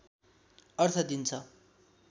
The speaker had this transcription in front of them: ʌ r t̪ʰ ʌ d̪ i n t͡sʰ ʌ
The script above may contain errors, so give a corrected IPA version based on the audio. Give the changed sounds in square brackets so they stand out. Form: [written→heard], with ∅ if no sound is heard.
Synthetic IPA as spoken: ʌ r t̪ʰ ʌ d̪ i n t͡sʰ ʌ